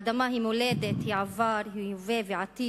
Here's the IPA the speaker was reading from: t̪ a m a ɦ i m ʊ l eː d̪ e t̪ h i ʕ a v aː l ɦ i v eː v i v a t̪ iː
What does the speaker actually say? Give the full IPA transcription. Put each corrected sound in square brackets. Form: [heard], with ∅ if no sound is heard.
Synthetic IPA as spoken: [d̪] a m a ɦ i m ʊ l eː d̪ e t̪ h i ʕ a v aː [ɾ] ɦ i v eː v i [ʕ] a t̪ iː